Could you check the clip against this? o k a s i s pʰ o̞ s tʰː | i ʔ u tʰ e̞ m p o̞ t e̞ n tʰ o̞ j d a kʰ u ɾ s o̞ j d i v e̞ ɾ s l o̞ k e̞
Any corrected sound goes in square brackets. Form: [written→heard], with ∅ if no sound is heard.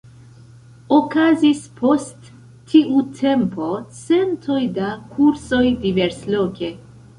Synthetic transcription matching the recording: o k a [s→z] i s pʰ o̞ s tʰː | i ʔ u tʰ e̞ m p o̞ [t→t͡s] e̞ n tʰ o̞ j d a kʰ u ɾ s o̞ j d i v e̞ ɾ s l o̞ k e̞